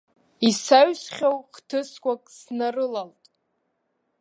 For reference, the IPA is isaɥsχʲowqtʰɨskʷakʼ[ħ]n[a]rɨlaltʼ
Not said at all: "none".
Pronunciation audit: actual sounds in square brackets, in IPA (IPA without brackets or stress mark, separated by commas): s, a